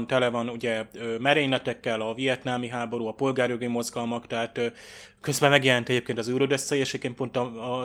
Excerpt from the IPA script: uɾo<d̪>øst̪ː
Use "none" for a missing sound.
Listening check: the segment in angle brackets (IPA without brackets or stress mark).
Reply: d̪